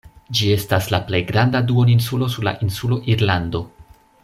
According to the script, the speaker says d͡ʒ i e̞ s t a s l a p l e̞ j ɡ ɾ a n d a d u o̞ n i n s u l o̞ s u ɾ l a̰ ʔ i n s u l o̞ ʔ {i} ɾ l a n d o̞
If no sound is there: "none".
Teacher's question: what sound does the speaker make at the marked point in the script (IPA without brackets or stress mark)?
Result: i